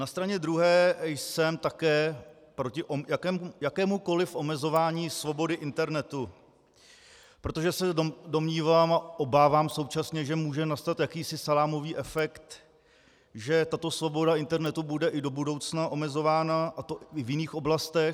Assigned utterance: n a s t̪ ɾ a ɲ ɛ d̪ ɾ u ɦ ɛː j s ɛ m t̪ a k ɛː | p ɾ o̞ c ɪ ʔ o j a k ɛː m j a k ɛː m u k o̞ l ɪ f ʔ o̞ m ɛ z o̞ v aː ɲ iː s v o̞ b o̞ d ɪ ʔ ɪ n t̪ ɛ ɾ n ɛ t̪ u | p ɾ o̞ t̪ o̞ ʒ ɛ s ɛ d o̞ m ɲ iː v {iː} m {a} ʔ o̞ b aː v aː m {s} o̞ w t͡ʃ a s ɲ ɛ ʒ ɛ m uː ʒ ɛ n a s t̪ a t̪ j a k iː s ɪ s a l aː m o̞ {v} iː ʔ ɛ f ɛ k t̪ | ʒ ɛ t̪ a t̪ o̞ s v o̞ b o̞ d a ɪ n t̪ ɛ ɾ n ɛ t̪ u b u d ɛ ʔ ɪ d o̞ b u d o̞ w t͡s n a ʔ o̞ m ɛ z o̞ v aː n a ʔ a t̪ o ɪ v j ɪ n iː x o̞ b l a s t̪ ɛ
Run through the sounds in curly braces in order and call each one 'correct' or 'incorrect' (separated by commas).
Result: incorrect, correct, correct, correct